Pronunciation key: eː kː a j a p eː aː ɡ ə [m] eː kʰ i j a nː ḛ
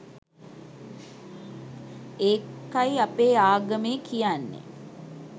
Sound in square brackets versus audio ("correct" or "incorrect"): correct